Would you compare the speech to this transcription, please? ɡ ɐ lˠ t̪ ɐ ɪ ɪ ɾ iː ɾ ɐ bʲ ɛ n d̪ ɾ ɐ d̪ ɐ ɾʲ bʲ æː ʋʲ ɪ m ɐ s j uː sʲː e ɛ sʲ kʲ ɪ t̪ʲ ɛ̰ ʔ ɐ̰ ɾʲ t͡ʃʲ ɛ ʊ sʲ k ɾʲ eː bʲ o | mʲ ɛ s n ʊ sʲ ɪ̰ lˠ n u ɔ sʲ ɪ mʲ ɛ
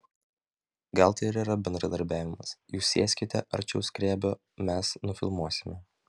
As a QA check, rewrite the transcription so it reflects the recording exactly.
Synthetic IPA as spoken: ɡ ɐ lˠ t̪ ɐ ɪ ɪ ɾ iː ɾ ɐ bʲ ɛ n d̪ ɾ ɐ d̪ ɐ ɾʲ bʲ æː ʋʲ ɪ m ɐ s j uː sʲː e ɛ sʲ kʲ ɪ t̪ʲ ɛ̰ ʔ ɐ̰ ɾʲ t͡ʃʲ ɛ ʊ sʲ k ɾʲ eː bʲ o | mʲ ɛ s n ʊ fʲ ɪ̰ lˠ m u ɔ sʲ ɪ mʲ ɛ